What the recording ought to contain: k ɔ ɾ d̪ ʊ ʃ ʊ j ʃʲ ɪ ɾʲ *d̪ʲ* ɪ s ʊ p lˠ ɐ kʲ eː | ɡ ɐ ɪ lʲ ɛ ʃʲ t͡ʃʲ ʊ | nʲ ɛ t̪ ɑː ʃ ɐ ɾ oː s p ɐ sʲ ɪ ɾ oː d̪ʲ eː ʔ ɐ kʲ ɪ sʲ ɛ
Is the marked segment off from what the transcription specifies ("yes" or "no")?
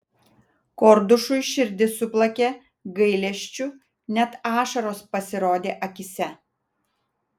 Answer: no